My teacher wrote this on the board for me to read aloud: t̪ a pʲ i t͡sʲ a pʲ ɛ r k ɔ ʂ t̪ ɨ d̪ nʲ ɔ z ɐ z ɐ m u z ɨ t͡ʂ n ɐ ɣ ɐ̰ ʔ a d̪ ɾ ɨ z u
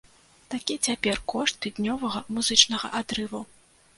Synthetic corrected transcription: t̪ a kʲ i t͡sʲ a pʲ ɛ r k ɔ ʂ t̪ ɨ d̪ nʲ ɔ v ɐ ɣ ɐ m u z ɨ t͡ʂ n ɐ ɣ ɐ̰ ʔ a d̪ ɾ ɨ v u